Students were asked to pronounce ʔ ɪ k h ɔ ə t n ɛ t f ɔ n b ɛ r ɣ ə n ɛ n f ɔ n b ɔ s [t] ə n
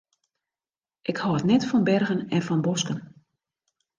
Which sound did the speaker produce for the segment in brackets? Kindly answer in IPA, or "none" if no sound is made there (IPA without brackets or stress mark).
k